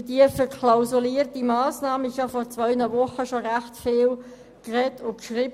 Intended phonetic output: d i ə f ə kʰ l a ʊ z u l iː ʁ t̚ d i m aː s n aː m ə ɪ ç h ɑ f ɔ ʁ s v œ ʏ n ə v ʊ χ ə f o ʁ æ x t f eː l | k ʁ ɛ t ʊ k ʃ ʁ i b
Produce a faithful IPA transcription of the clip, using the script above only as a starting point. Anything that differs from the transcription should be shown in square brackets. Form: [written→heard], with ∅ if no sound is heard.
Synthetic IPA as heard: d i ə f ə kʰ l a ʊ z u l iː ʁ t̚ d i m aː s n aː m ə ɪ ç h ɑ f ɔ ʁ [s→t͡s] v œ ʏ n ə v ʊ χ ə [f→ʃ] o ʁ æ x t f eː l | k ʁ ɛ t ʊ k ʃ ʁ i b